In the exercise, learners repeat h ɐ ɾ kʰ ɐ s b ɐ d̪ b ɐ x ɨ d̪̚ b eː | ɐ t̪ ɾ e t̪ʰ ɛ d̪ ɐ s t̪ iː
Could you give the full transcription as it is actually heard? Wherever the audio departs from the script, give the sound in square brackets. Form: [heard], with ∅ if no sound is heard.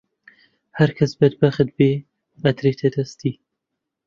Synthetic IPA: h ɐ ɾ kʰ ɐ s b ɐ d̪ b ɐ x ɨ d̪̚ b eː | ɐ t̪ ɾ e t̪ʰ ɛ d̪ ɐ s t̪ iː

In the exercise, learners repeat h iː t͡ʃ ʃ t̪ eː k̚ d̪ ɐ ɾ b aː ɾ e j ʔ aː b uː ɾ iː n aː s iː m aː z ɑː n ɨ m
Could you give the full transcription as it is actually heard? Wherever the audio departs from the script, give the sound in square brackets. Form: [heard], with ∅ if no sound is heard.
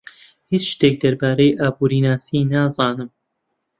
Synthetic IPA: h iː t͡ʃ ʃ t̪ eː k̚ d̪ ɐ ɾ b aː ɾ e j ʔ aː b uː ɾ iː n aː s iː [n] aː z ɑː n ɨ m

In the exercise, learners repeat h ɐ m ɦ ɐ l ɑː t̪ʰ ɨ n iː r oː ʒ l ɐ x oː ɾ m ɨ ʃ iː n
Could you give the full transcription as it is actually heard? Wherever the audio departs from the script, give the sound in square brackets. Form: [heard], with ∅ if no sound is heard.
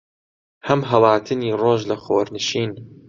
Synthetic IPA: h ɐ m ɦ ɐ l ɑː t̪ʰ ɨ n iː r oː ʒ l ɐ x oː ɾ [n] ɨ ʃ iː n

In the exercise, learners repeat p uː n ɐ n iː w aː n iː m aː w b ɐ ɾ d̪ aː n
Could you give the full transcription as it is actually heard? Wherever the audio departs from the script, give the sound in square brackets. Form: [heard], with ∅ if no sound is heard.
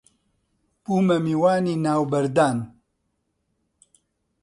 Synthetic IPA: p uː [m] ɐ [m] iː w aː n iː [n] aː w b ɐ ɾ d̪ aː n

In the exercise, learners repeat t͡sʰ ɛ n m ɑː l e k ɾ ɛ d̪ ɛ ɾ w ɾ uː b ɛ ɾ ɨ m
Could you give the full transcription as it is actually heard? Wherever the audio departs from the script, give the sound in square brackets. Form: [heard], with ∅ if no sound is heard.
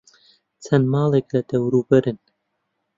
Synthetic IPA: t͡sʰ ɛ n m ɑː l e k [l] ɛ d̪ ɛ [∅] w ɾ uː b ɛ ɾ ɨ [n]

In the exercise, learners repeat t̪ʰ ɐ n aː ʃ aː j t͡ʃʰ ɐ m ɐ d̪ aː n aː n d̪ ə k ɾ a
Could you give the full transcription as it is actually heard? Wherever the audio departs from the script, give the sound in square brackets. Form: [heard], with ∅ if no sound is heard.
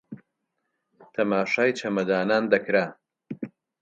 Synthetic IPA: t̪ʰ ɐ [m] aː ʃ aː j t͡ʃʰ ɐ m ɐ d̪ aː n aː n d̪ [ɐ] k ɾ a

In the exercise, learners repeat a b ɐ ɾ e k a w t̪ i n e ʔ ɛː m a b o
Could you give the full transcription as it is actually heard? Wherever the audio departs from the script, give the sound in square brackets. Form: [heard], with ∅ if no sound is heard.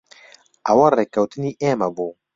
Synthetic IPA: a [w] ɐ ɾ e k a w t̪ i n [i] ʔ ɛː m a b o

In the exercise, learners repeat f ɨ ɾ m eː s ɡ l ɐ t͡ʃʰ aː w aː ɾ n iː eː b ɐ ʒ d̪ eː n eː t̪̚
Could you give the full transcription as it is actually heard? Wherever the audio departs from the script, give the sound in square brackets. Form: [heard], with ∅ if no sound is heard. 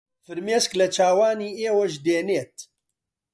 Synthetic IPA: f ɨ ɾ m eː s [k] l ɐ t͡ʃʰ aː w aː [∅] n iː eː [w] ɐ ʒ d̪ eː n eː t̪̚

